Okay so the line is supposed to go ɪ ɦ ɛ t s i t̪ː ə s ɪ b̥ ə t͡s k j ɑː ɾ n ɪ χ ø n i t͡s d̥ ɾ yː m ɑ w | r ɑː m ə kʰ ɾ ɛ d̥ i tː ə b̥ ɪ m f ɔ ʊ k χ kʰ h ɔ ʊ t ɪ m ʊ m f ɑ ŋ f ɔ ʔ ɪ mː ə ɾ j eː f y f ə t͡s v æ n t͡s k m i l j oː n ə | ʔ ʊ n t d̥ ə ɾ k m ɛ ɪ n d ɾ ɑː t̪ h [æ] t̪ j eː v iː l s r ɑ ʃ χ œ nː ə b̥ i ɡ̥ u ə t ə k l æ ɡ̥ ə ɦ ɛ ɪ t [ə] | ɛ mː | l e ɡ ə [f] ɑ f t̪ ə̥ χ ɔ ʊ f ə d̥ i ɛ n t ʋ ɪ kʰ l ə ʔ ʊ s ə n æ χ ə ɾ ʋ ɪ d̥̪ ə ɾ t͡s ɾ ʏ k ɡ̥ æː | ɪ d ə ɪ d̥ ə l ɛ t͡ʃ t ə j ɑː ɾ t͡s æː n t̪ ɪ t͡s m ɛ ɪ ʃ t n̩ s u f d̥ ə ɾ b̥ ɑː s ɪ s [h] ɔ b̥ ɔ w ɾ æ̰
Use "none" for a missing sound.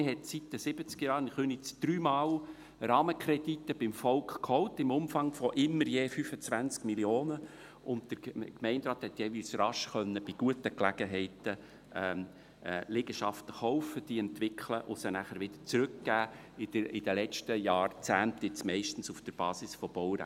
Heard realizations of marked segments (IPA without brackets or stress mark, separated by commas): ɛ, ə, ʃ, f